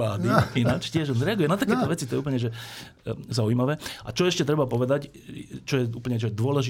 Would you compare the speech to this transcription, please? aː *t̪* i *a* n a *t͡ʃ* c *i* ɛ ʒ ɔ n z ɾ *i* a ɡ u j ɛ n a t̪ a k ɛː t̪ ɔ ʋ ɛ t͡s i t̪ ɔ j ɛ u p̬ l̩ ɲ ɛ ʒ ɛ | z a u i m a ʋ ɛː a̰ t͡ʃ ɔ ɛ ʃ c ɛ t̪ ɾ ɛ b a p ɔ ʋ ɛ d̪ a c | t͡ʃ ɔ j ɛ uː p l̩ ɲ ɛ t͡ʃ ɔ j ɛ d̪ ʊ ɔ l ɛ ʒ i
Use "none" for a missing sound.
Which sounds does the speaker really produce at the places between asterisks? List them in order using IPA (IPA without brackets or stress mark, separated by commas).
d̪, i, t͡ʃ, ɪ, ɛ